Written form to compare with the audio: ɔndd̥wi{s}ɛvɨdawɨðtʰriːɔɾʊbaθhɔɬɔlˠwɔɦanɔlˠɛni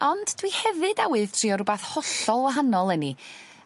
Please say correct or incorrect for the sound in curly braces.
incorrect